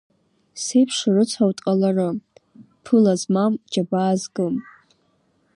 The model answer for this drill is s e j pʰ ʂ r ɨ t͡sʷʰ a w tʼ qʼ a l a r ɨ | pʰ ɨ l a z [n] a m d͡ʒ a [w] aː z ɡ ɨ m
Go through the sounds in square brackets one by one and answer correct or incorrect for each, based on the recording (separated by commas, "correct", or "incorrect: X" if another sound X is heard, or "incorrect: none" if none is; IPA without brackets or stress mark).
incorrect: m, incorrect: b